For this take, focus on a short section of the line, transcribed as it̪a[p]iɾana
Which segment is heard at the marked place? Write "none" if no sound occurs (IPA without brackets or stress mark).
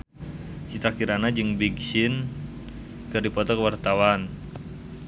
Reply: k